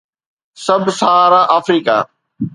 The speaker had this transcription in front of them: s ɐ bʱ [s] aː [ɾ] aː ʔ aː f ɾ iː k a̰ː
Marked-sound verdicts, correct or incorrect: correct, correct

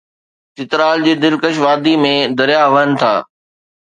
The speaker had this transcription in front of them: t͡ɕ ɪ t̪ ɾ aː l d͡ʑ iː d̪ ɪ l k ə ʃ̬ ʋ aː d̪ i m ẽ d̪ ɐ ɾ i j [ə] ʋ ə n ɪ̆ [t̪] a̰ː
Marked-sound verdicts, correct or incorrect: incorrect: a, incorrect: t̪ʰ

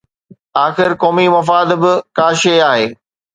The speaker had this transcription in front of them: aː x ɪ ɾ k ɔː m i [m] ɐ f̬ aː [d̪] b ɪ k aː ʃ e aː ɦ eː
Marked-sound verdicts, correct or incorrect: correct, correct

